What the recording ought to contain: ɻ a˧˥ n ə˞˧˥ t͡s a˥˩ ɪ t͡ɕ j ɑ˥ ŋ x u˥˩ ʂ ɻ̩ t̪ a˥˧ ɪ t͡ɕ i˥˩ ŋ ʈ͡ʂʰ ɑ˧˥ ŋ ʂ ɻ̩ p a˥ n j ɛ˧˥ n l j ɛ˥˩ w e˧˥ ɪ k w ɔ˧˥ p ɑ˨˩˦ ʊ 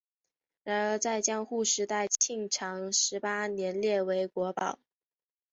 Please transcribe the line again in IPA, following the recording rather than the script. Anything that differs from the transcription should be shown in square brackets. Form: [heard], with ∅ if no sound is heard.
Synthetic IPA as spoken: ɻ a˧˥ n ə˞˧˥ t͡s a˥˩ ɪ t͡ɕ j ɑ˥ ŋ x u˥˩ ʂ ɻ̩ t̪ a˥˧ ɪ [t͡ɕʰ] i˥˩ ŋ ʈ͡ʂʰ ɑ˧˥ ŋ ʂ ɻ̩ p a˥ n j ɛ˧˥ n l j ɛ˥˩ w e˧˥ ɪ k w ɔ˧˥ p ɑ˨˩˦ ʊ